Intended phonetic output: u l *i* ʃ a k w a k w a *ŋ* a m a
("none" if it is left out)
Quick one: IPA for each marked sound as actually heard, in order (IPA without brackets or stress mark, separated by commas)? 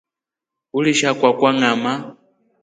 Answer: i, ŋ